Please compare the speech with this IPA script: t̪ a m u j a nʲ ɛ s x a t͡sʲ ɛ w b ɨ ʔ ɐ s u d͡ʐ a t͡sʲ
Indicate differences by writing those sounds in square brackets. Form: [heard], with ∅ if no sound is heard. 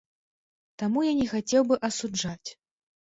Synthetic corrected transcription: t̪ a m u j a nʲ ɛ [∅] x a t͡sʲ ɛ w b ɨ ʔ ɐ s u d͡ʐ a t͡sʲ